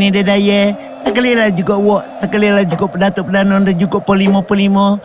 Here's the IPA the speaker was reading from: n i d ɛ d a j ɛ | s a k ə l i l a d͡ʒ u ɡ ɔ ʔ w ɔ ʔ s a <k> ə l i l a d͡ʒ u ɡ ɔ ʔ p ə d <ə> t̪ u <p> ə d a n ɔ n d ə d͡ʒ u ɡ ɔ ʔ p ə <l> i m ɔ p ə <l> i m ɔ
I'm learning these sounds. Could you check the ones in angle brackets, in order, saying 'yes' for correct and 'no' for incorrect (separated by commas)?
yes, no, yes, yes, yes